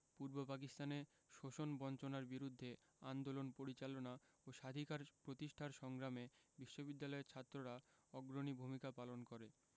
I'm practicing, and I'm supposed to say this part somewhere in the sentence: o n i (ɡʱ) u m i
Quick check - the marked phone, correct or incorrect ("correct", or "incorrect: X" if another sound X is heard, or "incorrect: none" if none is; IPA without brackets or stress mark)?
incorrect: bʱ